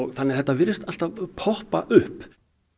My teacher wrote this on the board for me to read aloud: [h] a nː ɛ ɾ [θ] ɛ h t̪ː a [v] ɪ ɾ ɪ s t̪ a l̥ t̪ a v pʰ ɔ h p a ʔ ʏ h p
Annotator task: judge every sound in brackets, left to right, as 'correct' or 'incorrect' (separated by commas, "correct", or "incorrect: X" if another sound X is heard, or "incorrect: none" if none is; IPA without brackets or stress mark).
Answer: incorrect: θ, correct, correct